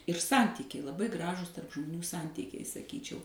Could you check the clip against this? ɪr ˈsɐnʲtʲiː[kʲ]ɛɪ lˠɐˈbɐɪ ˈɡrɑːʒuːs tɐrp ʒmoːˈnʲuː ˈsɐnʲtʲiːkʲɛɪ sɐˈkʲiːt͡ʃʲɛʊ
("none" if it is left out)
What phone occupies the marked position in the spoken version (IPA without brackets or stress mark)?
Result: kʲ